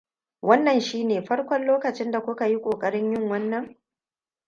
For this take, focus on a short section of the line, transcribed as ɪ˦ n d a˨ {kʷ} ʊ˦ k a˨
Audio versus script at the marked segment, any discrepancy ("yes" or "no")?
no